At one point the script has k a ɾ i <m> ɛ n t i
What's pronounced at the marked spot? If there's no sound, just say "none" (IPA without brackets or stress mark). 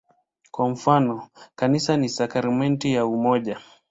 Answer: m